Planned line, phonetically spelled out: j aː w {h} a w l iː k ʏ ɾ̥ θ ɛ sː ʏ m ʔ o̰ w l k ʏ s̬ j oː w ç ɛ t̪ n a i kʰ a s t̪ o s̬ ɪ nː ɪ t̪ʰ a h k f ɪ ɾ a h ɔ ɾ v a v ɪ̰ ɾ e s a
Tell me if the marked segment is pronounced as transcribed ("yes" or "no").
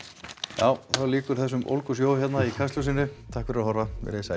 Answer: no